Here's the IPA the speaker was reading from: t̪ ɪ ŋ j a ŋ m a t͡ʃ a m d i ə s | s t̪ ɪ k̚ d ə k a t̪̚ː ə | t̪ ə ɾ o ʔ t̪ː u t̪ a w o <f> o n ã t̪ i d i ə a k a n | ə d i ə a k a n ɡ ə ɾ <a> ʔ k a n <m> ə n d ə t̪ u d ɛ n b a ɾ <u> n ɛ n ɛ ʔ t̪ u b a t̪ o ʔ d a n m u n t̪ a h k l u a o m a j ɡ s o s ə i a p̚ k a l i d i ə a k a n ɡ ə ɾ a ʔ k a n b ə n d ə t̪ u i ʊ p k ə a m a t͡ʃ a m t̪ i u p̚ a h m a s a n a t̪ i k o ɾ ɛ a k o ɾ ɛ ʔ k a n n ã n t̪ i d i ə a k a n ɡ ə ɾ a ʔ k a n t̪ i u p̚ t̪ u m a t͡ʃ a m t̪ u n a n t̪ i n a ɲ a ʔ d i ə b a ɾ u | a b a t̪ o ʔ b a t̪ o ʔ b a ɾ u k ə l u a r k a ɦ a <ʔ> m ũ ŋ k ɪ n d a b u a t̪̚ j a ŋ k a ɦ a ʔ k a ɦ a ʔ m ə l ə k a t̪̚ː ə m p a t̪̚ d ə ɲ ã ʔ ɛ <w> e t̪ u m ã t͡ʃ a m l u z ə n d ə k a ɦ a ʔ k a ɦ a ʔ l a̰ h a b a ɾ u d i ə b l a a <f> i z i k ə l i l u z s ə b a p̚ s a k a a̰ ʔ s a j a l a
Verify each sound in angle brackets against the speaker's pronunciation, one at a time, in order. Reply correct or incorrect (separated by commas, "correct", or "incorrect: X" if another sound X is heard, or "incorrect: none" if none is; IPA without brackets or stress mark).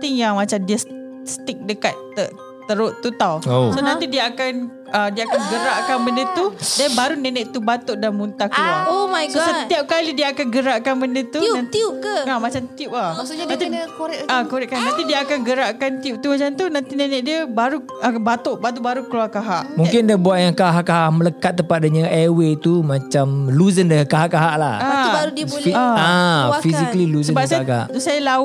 incorrect: s, correct, incorrect: b, correct, correct, correct, correct